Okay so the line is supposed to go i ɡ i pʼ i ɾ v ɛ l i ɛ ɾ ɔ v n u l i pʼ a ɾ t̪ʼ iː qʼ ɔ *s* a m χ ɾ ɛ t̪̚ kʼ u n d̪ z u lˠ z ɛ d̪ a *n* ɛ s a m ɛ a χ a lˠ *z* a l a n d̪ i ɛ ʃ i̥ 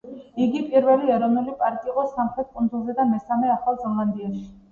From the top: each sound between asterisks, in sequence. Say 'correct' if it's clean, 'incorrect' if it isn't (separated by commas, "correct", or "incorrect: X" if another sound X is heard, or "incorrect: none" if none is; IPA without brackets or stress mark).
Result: correct, incorrect: m, correct